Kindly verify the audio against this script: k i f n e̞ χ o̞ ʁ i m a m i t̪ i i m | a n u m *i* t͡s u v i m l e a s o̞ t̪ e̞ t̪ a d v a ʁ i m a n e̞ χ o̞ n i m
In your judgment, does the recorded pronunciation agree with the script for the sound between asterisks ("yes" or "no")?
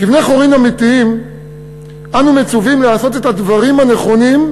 no